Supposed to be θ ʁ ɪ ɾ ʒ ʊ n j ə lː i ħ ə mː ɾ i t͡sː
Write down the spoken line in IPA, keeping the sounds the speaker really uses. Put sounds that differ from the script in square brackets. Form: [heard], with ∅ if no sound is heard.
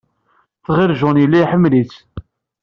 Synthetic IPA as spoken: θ ʁ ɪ ɾ ʒ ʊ n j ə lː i ħ ə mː [l] i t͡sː